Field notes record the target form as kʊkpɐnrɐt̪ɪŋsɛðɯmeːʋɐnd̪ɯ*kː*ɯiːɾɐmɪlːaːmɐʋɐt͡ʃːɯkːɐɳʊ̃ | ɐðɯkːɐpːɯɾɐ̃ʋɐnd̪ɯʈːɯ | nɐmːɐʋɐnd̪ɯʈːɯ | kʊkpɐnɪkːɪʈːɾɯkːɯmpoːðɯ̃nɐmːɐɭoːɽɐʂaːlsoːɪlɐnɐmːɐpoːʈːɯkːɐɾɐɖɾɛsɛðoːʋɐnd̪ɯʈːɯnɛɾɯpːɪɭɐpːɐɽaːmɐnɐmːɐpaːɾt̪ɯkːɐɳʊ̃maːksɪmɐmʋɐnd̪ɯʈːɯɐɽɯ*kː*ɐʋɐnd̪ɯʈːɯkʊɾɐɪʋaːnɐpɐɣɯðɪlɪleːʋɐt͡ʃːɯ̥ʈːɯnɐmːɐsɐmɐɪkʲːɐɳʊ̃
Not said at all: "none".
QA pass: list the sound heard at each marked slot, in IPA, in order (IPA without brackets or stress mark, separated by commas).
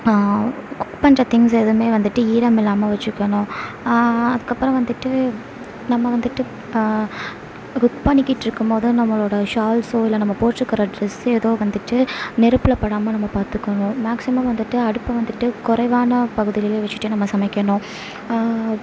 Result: ʈː, pː